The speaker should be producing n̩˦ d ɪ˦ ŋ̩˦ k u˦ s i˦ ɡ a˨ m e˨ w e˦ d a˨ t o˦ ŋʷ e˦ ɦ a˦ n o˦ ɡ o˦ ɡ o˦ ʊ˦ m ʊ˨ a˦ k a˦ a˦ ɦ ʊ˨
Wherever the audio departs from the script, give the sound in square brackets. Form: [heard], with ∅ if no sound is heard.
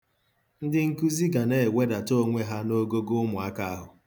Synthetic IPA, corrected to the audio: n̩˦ d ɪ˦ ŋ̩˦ k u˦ [z] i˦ ɡ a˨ [n] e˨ w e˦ d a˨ t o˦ ŋʷ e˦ ɦ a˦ n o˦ ɡ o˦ ɡ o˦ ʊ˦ m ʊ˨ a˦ k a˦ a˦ ɦ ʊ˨